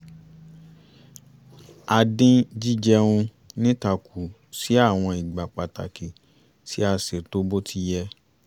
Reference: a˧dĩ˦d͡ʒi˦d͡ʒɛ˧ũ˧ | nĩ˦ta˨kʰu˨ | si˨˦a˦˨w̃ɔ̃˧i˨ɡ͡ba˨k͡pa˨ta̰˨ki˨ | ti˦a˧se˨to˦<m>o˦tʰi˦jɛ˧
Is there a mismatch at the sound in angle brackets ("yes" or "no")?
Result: yes